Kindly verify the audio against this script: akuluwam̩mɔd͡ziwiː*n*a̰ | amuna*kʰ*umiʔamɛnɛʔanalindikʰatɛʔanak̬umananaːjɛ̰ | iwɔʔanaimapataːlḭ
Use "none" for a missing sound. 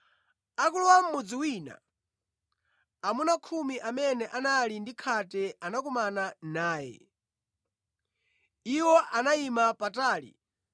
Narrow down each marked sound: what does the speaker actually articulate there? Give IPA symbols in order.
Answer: n, kʰ

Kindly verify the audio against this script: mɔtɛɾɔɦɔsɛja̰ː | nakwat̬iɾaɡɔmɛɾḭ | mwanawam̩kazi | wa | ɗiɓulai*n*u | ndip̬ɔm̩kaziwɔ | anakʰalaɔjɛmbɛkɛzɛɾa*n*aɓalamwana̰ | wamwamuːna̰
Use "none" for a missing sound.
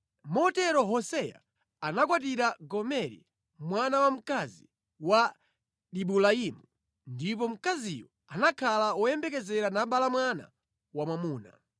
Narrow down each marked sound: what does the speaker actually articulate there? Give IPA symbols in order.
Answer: m, n

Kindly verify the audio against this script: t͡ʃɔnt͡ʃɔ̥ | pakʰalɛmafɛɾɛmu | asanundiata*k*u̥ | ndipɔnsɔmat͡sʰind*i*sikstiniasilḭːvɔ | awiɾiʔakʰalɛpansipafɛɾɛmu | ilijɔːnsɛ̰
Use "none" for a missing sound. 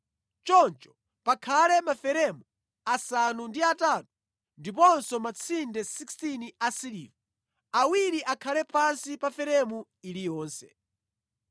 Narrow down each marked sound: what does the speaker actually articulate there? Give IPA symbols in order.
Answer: t, ɛ

